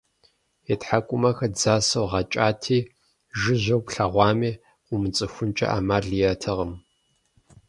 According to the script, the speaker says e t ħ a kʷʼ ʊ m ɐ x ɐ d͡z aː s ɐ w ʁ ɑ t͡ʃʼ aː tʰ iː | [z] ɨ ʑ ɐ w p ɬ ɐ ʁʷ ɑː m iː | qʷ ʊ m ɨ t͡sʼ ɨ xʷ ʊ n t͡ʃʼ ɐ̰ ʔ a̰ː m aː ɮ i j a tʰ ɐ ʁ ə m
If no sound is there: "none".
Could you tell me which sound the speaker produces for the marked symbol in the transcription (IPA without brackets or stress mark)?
ʒ